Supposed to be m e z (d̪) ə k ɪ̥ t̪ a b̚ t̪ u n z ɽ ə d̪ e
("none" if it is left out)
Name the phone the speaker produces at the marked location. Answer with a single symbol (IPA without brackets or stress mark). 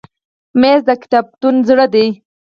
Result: d̪